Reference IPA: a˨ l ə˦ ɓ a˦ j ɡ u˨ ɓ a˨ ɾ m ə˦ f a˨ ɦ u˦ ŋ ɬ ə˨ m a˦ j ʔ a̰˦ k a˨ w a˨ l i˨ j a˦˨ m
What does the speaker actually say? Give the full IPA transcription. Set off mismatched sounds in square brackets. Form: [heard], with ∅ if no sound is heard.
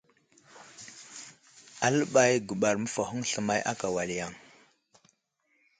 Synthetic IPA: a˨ l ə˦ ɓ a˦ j ɡ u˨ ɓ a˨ ɾ m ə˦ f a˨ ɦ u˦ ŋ ɬ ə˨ m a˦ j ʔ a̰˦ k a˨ w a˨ l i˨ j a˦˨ [ŋ]